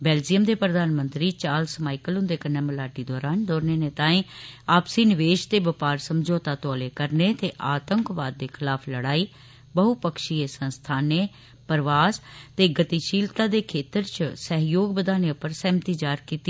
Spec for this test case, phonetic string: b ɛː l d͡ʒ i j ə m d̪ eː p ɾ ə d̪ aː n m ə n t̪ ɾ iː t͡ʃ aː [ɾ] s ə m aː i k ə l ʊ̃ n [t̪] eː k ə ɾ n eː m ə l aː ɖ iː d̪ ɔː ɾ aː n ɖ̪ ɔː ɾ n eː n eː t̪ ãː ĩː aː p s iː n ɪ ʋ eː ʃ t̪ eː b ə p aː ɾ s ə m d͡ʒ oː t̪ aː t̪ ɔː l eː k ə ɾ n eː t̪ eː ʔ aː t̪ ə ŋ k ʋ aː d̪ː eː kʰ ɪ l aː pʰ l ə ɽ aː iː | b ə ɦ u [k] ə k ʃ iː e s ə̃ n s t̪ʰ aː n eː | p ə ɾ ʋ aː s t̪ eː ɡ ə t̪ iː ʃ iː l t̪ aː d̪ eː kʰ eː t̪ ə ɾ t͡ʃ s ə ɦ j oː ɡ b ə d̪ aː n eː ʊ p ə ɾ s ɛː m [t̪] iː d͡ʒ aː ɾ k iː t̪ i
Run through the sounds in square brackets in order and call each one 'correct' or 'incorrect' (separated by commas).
incorrect, incorrect, incorrect, correct